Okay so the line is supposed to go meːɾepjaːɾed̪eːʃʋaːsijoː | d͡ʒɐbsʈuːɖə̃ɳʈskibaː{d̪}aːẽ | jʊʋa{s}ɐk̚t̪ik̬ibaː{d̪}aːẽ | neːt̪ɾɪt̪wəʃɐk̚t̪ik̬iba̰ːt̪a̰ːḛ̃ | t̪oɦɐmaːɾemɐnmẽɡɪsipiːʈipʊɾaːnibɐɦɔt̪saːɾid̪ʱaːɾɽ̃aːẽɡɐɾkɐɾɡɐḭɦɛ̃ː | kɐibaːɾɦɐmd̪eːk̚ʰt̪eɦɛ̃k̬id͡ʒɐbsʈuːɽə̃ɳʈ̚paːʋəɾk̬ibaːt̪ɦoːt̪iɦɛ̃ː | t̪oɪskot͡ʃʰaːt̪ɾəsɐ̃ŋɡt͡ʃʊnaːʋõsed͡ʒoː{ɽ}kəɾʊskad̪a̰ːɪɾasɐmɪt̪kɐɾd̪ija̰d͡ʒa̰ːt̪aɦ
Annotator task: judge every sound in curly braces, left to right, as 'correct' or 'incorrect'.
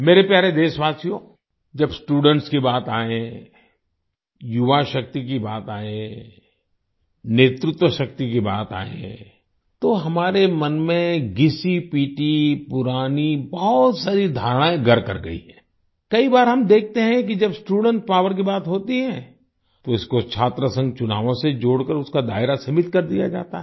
incorrect, incorrect, incorrect, correct

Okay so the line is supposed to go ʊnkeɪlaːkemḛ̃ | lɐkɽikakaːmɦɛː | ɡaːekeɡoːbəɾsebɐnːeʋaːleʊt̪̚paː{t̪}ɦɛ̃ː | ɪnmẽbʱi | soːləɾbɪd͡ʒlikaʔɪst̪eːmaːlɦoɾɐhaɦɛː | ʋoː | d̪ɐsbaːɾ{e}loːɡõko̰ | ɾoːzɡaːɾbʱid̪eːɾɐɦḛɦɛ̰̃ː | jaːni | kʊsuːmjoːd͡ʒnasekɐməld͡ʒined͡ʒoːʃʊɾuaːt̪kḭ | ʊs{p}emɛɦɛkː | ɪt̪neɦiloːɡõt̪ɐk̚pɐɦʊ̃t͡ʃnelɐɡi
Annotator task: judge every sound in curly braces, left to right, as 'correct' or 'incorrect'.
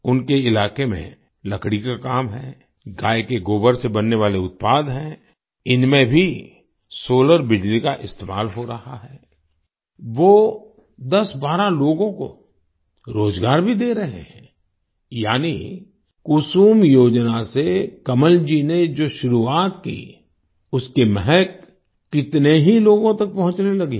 incorrect, incorrect, incorrect

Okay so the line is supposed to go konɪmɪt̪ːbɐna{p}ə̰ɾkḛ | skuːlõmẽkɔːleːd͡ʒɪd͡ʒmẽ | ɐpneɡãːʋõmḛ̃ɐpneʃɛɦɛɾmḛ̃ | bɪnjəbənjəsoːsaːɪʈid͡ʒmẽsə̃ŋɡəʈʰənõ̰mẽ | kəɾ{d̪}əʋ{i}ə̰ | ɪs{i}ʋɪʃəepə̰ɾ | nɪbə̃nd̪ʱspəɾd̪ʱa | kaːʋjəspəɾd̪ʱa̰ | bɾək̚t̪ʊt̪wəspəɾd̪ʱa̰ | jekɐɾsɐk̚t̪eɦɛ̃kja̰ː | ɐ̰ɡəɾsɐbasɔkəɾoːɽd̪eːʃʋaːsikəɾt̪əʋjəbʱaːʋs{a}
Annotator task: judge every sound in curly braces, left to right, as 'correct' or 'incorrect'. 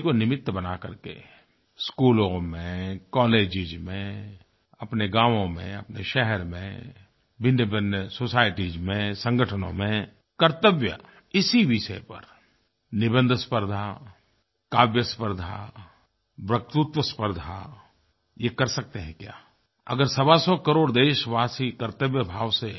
incorrect, incorrect, incorrect, correct, incorrect

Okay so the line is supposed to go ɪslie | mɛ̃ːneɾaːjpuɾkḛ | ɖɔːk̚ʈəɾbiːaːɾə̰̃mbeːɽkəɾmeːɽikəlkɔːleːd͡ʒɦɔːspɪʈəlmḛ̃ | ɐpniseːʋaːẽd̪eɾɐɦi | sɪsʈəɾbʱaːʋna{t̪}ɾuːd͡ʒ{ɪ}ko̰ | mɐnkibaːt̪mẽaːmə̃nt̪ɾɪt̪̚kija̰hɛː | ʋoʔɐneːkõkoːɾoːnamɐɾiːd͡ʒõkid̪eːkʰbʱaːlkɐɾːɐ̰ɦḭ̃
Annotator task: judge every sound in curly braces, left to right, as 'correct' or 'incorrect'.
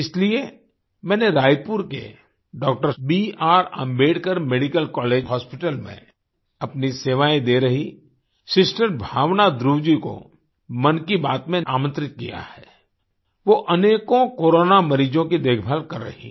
incorrect, incorrect

